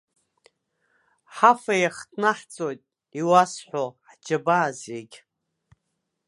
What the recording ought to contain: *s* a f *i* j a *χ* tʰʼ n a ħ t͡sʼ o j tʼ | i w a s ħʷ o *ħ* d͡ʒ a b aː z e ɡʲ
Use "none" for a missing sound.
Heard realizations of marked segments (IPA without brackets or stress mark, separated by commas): ħ, a, χ, ħ